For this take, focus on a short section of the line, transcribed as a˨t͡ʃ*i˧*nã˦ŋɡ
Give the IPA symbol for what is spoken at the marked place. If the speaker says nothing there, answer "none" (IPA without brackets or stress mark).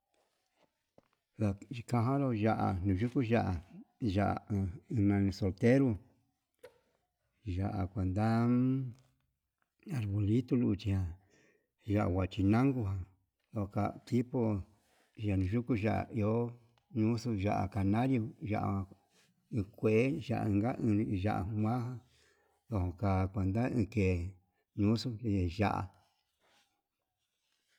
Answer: i˧